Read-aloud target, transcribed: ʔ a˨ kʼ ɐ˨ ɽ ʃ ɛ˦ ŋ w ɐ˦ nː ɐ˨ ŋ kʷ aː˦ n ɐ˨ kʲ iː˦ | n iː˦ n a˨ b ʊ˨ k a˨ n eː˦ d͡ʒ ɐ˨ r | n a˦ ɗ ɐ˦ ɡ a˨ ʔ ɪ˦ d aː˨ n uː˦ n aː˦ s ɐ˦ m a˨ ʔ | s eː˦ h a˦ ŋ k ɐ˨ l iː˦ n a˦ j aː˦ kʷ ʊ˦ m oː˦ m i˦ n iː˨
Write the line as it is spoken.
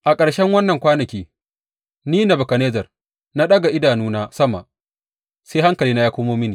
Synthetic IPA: ʔ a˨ kʼ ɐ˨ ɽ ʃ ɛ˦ ŋ w ɐ˦ nː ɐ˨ ŋ kʷ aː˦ n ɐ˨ kʲ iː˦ | n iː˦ n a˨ b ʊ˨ k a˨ n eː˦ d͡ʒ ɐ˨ r | n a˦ ɗ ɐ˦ ɡ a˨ ʔ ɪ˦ d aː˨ n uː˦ n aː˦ s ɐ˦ m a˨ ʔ | s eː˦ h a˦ ŋ k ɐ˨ l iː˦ n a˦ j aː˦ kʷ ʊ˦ m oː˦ m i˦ n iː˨